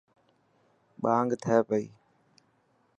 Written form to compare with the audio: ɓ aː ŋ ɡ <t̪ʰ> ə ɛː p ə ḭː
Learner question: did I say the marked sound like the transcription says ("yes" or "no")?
yes